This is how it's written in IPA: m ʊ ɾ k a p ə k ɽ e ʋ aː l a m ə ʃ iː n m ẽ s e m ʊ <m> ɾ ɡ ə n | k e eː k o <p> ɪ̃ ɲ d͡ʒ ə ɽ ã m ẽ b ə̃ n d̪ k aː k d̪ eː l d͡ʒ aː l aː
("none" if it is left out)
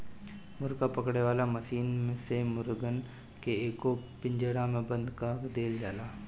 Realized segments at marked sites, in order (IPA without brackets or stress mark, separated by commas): none, p